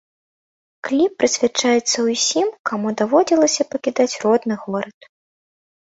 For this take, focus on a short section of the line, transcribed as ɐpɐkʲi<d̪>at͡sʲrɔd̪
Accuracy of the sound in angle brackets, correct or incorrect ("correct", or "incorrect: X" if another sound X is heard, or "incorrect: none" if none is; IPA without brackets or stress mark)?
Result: correct